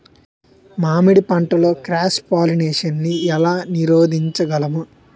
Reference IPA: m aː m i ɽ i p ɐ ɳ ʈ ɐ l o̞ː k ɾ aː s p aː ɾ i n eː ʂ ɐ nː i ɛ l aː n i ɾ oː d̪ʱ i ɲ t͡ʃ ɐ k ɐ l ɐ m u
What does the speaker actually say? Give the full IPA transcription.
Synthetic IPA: m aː m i ɽ i p ɐ ɳ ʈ ɐ l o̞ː k ɾ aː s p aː l i n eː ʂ ɐ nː i ɛ l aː n i ɾ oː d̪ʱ i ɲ t͡ʃ ɐ ɡ ɐ l ɐ m u